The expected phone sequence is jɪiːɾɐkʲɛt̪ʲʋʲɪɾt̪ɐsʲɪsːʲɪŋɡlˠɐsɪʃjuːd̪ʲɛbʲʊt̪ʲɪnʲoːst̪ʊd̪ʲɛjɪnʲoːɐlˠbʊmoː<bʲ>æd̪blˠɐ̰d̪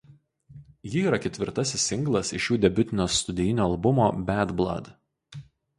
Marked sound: correct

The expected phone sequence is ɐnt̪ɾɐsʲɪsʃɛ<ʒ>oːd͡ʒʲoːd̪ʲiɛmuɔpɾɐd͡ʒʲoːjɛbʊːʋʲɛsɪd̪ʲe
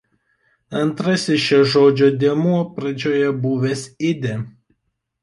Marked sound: correct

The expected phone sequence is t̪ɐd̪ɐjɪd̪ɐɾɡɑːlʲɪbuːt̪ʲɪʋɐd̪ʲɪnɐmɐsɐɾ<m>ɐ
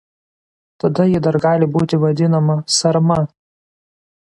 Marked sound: correct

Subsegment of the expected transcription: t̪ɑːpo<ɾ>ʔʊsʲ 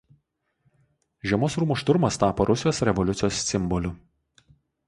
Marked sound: correct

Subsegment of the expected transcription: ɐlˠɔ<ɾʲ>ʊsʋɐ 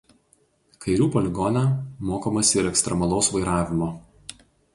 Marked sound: incorrect: none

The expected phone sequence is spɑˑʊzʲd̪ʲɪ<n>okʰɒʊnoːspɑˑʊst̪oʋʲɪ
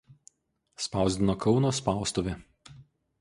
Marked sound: correct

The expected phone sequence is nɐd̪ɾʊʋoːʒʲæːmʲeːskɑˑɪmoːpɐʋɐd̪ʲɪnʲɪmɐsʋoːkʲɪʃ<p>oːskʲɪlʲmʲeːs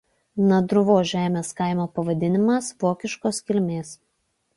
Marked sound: incorrect: k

